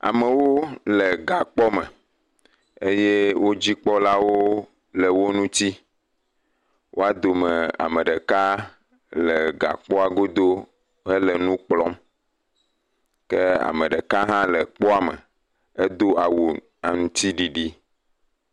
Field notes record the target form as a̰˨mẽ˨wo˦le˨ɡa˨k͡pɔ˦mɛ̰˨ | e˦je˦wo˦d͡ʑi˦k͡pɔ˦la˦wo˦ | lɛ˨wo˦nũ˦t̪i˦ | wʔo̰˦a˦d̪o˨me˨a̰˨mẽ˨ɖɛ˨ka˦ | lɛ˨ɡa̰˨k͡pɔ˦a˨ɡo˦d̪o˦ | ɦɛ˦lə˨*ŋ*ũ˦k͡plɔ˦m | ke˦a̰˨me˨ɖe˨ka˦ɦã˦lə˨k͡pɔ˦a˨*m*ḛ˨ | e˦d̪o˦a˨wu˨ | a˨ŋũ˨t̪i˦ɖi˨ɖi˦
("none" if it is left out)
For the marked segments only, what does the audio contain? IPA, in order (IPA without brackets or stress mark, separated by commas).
n, m